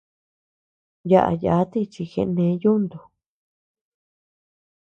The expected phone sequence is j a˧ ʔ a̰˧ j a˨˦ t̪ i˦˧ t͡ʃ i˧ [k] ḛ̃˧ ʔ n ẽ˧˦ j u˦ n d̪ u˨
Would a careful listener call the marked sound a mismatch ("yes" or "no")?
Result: yes